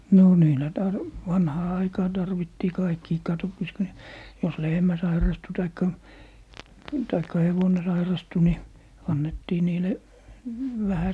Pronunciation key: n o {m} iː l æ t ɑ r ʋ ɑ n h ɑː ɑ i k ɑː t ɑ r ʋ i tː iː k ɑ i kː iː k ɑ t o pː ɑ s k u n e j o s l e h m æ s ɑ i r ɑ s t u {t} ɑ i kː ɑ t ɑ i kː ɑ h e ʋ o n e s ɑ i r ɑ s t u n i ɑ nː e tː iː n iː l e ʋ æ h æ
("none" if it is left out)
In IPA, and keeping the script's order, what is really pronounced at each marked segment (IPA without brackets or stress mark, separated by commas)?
n, t